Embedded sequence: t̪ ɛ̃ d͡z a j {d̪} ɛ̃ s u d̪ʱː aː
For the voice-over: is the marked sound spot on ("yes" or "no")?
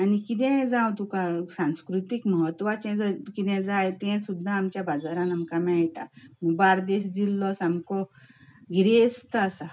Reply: no